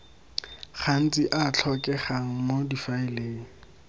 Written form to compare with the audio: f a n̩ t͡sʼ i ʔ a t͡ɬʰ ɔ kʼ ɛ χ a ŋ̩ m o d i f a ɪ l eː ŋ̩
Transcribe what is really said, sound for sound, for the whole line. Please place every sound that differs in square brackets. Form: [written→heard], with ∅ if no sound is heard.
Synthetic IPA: [f→χ] a n̩ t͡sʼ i ʔ a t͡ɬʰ ɔ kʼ ɛ χ a ŋ̩ m o d i f a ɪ l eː ŋ̩

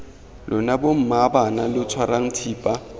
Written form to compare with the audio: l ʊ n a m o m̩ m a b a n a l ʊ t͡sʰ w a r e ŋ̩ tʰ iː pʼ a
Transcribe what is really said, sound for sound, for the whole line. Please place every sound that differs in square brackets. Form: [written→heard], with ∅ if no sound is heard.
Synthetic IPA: l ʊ n a [m→b] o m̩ m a b a n a l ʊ t͡sʰ w a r [e→a] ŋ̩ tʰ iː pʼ a

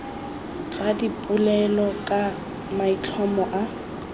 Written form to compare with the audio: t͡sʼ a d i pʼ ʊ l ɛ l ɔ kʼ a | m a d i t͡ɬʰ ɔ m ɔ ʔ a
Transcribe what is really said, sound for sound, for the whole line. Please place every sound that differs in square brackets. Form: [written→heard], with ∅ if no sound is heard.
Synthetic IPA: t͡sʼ a d i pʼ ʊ l ɛ l ɔ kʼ a | m a [d→∅] i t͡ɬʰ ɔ m ɔ ʔ a

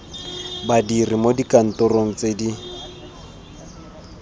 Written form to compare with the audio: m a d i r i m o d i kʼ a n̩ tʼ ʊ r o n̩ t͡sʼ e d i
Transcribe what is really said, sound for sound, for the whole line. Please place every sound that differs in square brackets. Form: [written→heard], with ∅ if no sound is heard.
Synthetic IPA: [m→b] a d i r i m o d i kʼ a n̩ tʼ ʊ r o [n̩→ŋ̩] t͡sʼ e d i

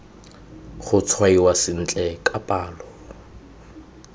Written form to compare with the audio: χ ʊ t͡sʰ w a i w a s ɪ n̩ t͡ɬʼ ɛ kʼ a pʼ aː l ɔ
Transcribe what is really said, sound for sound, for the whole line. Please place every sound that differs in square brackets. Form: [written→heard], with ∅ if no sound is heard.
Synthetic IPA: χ ʊ t͡sʰ w a i w a s ɪ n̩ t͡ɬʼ ɛ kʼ a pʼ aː l ɔ

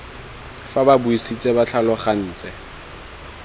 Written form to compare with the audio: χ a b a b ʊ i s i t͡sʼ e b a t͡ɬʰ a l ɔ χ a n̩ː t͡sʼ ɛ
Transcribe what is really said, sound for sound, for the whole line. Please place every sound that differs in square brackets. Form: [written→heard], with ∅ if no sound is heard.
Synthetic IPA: [χ→f] a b a b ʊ i s i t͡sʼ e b a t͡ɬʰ a l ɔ χ a n̩ː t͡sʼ ɛ

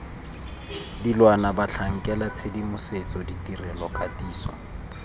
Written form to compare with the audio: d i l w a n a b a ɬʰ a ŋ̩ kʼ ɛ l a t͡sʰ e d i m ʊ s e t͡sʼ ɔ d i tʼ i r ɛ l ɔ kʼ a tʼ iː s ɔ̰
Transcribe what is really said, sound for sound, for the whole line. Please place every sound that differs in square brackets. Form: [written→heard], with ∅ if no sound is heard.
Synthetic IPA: d i l w a n a b a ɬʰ a ŋ̩ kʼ ɛ l a t͡sʰ e d i m ʊ s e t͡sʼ ɔ d i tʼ i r ɛ l ɔ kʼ a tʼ iː s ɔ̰

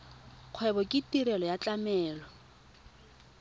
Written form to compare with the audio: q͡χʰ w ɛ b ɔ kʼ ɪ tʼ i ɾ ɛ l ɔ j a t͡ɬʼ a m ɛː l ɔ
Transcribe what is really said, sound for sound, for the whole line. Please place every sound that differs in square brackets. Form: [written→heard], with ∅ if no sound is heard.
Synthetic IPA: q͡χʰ w ɛ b ɔ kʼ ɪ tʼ i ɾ ɛ l ɔ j a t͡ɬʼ a m ɛː l ɔ

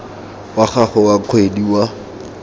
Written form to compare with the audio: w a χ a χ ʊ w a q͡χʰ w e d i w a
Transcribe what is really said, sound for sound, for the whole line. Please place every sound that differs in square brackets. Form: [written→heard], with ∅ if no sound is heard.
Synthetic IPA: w a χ a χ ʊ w a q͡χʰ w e d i w a

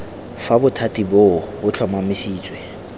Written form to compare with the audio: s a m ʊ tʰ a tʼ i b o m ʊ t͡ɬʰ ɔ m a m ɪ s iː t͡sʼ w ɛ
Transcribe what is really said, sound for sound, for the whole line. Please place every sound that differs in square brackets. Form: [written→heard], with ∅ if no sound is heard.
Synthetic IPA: [s→f] a [m→b] ʊ tʰ a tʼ i b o [m→b] ʊ t͡ɬʰ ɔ m a m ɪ s iː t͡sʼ w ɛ

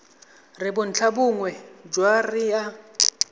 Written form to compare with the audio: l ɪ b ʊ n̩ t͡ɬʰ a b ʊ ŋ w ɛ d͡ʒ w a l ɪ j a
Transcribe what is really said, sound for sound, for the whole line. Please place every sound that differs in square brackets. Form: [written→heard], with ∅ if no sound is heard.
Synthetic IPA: [l→r] ɪ b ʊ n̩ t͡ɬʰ a b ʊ ŋ w ɛ d͡ʒ w a [l→r] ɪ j a

